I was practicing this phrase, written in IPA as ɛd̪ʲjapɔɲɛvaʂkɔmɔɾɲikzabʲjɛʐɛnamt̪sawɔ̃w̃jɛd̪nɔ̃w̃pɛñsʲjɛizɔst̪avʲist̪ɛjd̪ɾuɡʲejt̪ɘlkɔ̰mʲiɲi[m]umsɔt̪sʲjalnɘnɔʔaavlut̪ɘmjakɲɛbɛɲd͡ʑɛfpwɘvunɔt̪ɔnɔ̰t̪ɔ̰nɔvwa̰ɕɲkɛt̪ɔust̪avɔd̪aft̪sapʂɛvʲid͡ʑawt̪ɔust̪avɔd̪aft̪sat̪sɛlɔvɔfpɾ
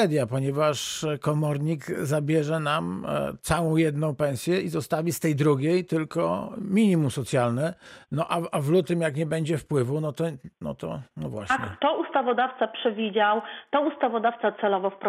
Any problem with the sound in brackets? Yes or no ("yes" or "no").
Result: no